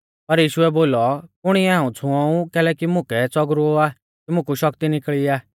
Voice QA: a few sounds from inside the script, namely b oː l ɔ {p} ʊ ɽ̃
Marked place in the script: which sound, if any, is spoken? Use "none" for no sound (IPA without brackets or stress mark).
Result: k